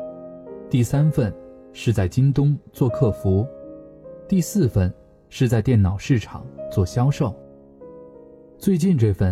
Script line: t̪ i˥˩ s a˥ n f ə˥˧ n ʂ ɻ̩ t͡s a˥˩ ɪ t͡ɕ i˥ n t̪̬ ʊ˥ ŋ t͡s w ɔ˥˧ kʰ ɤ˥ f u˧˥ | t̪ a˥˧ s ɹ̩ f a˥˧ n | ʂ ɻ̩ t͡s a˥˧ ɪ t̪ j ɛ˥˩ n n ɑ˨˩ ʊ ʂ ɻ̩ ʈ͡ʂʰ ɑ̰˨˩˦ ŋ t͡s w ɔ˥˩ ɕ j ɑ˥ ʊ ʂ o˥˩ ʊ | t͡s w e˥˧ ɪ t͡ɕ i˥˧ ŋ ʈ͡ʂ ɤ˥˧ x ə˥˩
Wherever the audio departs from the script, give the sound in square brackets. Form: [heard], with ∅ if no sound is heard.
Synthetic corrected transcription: t̪ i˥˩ s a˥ n f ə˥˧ n ʂ ɻ̩ t͡s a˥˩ ɪ t͡ɕ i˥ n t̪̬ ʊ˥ ŋ t͡s w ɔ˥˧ kʰ [ɤ˥˩] f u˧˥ | t̪ [i˥˧] s ɹ̩ f [ə˥˧] n | ʂ ɻ̩ t͡s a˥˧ ɪ t̪ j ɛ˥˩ n n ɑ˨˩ ʊ ʂ ɻ̩ ʈ͡ʂʰ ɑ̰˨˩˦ ŋ t͡s w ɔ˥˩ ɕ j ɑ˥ ʊ ʂ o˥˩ ʊ | t͡s w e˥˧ ɪ t͡ɕ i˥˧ [n] ʈ͡ʂ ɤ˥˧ [f] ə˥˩